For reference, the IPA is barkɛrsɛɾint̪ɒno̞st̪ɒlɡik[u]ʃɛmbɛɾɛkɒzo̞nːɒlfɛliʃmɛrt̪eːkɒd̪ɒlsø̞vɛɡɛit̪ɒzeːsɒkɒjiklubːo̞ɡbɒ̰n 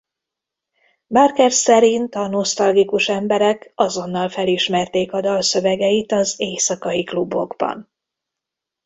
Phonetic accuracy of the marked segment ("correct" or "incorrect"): correct